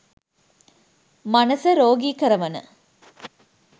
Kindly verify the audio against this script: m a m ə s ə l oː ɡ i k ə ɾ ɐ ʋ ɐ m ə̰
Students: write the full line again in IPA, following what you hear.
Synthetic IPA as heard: m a n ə s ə ɾ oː ɡ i k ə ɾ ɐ ʋ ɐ n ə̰